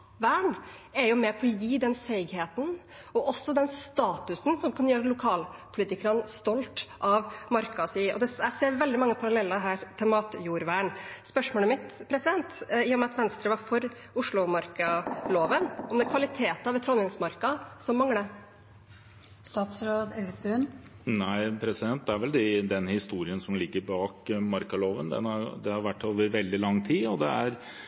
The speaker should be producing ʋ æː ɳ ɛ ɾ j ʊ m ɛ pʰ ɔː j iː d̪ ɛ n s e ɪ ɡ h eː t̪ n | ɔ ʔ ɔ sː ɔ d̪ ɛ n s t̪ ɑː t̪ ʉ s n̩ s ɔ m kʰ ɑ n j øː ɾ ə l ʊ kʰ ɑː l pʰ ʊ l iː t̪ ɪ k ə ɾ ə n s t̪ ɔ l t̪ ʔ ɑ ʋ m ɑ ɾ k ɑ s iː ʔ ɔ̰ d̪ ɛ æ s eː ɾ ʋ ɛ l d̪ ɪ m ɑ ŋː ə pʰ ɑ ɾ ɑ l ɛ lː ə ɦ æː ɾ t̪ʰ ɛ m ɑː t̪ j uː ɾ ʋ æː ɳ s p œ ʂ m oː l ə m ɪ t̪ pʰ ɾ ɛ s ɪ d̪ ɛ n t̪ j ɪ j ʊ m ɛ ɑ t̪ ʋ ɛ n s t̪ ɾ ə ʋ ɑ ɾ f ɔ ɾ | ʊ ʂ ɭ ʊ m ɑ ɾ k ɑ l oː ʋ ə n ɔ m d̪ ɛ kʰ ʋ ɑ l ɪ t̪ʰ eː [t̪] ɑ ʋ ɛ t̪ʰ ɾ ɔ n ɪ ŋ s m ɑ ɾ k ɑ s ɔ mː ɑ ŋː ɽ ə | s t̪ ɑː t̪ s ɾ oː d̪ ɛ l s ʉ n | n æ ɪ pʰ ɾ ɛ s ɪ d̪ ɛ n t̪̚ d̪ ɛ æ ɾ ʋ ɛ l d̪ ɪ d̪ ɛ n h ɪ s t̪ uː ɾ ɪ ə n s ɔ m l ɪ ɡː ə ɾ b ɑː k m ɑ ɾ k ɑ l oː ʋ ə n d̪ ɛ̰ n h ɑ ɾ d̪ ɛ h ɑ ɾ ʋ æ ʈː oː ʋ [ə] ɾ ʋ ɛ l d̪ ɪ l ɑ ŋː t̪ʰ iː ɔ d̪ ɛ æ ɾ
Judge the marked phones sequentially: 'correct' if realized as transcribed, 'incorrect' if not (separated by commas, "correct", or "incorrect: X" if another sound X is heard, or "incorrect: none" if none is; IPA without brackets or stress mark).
correct, correct